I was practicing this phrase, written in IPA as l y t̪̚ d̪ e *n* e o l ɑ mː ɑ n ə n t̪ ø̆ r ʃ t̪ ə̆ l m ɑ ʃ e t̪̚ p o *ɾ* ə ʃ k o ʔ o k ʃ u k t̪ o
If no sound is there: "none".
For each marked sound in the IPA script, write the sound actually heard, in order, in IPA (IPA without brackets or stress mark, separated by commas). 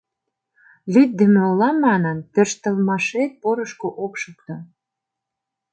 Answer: m, ɾ